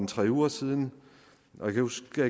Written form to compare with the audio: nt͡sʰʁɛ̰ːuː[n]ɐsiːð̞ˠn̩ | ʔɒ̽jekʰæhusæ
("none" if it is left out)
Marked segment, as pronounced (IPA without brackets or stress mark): none